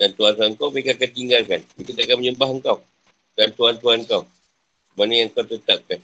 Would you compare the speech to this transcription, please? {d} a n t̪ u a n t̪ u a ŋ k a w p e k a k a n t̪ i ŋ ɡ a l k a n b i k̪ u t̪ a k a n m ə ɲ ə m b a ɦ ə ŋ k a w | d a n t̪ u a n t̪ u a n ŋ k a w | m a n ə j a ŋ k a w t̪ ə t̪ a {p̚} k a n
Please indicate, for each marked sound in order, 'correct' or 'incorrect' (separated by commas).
correct, correct